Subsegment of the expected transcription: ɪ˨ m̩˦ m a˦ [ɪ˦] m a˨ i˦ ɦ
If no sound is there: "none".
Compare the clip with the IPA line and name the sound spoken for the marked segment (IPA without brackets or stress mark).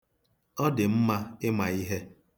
ɪ˦